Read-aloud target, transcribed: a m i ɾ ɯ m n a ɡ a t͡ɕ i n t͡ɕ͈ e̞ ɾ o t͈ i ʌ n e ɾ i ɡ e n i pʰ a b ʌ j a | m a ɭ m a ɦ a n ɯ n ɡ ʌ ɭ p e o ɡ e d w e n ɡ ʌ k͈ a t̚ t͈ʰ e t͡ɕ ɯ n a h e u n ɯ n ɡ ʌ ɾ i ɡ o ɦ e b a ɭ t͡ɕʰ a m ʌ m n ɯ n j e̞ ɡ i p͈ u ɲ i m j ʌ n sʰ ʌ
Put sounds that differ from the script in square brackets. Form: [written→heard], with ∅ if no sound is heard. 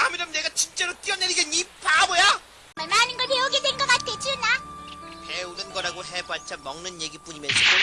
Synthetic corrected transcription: a m i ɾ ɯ m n [a→e] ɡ a t͡ɕ i n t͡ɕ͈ e̞ ɾ o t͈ i ʌ n e ɾ i ɡ e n i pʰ a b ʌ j a | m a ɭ m a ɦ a n ɯ n ɡ ʌ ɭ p e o ɡ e d w e n ɡ ʌ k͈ a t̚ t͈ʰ e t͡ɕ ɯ n a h e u n ɯ n ɡ ʌ ɾ [i→a] ɡ o ɦ e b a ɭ t͡ɕʰ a m ʌ [m→ŋ] n ɯ n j e̞ ɡ i p͈ u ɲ i m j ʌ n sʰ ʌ